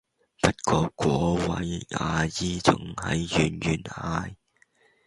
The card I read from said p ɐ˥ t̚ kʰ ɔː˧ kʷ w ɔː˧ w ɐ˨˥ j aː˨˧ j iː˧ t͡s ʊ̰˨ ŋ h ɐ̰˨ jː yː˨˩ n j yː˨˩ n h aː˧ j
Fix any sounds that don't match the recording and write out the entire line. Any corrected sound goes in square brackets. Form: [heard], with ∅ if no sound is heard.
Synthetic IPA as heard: p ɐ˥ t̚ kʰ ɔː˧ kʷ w [ɔː˨˥] w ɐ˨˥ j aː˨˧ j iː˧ t͡s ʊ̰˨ ŋ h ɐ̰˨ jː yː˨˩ n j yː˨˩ n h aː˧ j